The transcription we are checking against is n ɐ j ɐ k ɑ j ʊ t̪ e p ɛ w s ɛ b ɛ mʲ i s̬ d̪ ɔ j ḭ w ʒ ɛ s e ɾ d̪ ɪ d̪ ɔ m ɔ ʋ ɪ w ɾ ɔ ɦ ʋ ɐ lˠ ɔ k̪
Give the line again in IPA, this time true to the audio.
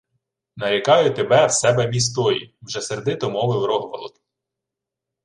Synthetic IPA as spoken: n ɐ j ɐ k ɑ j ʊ t̪ e b ɛ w s ɛ b ɛ mʲ i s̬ t̪ ɔ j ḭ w ʒ ɛ s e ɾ d̪ ɪ t̪ ɔ m ɔ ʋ ɪ w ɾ ɔ ɦ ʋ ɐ lˠ ɔ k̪